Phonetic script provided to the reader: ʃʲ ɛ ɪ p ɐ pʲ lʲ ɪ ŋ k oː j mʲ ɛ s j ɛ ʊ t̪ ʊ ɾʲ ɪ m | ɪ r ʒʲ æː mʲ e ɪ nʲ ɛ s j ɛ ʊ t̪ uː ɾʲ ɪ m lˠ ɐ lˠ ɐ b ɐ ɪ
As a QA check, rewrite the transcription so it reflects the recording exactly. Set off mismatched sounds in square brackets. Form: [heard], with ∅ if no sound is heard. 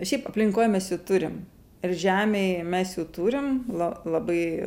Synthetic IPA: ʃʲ ɛ ɪ p ɐ pʲ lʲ ɪ ŋ k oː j mʲ ɛ s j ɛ ʊ t̪ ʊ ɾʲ ɪ m | ɪ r ʒʲ æː mʲ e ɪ [mʲ] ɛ s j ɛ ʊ t̪ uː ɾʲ ɪ m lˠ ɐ lˠ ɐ b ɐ ɪ